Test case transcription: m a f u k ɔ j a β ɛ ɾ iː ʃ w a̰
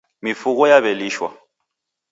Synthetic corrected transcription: m i f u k ɔ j a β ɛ l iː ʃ w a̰